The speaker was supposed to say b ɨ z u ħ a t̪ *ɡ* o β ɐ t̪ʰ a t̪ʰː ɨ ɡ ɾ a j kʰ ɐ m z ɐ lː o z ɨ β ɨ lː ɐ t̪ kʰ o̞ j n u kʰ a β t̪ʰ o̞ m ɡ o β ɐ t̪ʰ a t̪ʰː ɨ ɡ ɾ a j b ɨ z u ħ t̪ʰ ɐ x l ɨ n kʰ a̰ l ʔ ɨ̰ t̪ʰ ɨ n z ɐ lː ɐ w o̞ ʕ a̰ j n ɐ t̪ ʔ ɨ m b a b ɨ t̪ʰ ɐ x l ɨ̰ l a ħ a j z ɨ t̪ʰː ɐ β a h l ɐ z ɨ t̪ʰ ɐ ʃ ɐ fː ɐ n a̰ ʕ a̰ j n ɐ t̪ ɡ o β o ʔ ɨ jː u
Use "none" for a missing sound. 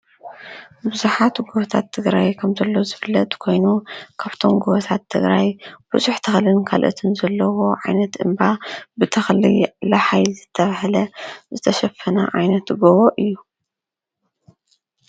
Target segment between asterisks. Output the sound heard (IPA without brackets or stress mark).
ɡ